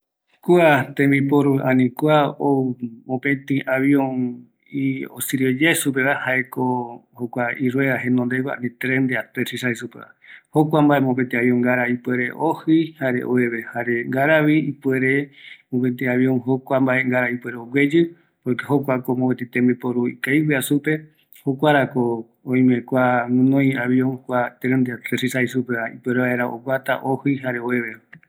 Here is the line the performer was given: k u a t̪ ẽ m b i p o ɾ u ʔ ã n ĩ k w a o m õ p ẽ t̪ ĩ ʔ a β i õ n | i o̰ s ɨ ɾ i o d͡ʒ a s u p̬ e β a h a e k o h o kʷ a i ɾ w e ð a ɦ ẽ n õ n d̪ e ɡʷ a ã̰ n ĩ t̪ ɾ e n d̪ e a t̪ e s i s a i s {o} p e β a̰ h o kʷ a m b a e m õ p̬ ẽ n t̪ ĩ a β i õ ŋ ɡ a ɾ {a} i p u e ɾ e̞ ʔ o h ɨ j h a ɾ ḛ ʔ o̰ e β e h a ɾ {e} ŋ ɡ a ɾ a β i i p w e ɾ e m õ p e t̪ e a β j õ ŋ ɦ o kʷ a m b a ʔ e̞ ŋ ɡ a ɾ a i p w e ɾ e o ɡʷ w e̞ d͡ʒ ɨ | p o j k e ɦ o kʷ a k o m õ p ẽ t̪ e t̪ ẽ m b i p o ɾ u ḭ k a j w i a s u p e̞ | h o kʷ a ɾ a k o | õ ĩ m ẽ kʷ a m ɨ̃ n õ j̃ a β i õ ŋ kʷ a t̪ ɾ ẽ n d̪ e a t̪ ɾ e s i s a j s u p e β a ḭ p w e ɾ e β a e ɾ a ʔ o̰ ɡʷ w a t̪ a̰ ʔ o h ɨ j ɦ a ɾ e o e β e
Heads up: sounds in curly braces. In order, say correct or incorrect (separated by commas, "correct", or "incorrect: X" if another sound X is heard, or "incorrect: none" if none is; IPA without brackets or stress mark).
incorrect: u, correct, correct